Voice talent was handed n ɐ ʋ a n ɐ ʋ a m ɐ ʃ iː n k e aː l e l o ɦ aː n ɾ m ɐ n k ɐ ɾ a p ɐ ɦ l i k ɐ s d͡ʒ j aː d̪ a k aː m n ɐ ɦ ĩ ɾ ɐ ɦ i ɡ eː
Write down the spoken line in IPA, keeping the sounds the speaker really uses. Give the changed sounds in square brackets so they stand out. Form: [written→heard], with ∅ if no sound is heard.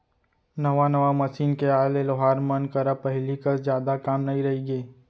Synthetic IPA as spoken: n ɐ ʋ a n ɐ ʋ a m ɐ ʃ iː n k e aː l e l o ɦ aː [n→∅] ɾ m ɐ n k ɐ ɾ a p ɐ ɦ l i k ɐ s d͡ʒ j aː d̪ a k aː m n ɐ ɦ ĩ ɾ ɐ ɦ i ɡ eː